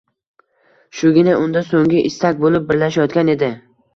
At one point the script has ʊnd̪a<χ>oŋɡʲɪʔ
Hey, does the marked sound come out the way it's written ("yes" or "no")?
no